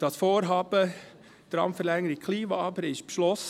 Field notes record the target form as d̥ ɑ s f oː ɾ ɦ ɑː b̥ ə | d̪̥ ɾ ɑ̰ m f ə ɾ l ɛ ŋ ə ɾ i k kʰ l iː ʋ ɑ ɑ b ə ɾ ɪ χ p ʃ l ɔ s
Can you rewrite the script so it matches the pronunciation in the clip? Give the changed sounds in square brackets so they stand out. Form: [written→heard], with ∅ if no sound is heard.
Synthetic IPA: d̥ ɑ s f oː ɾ ɦ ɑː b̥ ə | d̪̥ ɾ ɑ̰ m f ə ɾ l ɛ ŋ ə ɾ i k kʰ l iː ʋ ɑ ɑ b ə ɾ ɪ [χ→ʃ] p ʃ l ɔ s